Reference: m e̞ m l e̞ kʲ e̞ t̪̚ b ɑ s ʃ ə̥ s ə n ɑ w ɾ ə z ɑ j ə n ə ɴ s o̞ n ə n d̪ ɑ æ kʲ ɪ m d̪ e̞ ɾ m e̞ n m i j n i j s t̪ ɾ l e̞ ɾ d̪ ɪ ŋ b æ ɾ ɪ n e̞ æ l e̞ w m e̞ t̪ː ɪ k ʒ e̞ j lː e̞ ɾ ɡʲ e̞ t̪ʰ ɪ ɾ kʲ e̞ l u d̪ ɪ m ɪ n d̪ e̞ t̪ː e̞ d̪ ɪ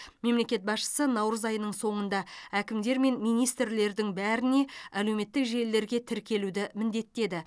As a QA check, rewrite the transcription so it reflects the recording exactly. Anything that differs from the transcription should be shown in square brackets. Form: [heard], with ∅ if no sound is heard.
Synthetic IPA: m e̞ m l e̞ kʲ e̞ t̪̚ b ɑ s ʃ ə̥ s ə n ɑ w ɾ ə z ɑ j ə n ə ɴ s o̞ [ɴ] ə n d̪ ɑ æ kʲ ɪ m d̪ e̞ ɾ m e̞ n m i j n i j s t̪ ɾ l e̞ ɾ d̪ ɪ ŋ b æ ɾ ɪ n e̞ æ l e̞ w m e̞ t̪ː ɪ k ʒ e̞ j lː e̞ ɾ ɡʲ e̞ t̪ʰ ɪ ɾ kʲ e̞ l u d̪ ɪ m ɪ n d̪ e̞ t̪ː e̞ d̪ ɪ